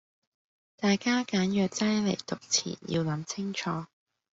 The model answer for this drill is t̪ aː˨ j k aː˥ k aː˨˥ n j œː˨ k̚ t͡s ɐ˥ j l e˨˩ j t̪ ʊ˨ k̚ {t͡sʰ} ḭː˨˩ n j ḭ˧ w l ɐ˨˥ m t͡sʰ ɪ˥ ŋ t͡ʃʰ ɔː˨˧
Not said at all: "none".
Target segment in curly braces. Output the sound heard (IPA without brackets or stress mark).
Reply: t͡sʰ